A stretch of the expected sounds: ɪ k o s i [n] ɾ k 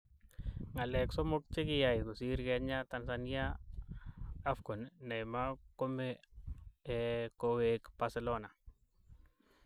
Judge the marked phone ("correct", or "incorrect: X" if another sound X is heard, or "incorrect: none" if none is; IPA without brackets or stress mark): incorrect: none